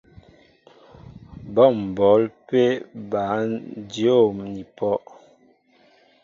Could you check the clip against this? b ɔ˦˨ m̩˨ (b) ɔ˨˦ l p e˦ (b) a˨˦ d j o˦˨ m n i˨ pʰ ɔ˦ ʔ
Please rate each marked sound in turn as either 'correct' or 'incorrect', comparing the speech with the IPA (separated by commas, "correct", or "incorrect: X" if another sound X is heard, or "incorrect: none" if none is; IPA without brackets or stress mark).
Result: correct, correct